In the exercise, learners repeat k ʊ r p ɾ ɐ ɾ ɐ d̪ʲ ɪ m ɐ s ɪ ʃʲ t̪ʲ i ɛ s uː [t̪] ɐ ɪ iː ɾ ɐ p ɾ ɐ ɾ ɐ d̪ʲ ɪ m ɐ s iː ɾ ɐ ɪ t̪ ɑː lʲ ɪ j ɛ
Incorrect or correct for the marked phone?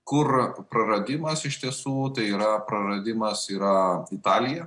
correct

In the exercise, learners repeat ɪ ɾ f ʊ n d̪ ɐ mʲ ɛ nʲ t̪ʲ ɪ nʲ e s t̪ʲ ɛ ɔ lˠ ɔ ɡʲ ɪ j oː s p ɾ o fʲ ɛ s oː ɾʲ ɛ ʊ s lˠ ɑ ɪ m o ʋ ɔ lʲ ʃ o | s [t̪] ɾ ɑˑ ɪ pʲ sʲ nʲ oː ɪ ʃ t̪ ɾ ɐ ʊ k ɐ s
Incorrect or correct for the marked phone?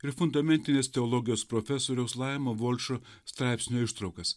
correct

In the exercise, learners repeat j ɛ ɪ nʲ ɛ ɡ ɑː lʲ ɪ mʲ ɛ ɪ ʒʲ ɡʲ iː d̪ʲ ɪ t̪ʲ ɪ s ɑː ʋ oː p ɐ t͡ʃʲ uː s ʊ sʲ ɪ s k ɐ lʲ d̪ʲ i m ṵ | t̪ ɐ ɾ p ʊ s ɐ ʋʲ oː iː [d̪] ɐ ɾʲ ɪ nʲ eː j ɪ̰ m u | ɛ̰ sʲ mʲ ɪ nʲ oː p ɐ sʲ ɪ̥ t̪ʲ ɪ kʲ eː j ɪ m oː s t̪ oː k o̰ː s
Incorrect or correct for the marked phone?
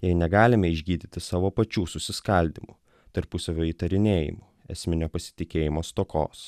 incorrect: t̪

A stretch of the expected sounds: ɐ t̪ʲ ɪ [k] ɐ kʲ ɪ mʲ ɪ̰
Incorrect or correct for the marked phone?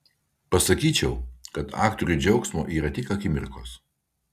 correct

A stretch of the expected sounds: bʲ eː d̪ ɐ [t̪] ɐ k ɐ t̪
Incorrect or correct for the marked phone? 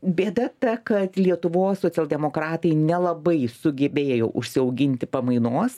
correct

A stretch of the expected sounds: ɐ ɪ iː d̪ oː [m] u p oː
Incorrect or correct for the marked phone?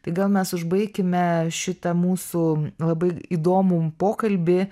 correct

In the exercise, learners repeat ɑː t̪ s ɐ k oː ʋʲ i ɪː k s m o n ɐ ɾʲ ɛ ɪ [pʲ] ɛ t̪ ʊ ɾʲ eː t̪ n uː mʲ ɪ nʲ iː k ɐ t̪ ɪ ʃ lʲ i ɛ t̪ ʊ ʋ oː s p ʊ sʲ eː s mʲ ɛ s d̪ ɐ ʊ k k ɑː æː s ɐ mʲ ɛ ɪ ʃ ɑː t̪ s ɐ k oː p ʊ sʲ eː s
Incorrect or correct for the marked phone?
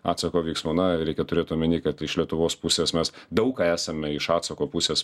incorrect: kʲ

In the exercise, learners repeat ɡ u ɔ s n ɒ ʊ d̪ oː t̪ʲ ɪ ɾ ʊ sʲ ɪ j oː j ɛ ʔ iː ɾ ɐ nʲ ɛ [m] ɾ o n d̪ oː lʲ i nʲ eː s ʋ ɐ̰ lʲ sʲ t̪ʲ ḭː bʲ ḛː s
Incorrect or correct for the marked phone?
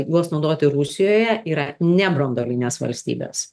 incorrect: b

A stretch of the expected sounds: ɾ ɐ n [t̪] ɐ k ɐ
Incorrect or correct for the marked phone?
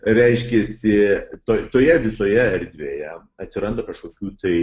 incorrect: d̪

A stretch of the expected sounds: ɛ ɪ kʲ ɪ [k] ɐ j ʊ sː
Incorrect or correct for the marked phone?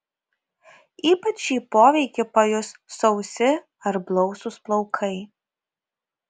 incorrect: p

